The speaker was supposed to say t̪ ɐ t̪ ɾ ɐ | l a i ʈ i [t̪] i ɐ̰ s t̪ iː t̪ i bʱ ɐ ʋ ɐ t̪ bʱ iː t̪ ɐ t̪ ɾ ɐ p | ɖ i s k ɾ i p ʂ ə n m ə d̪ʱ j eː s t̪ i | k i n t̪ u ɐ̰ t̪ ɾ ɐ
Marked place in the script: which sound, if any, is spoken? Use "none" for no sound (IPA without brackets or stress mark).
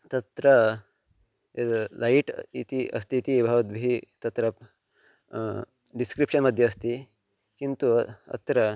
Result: t̪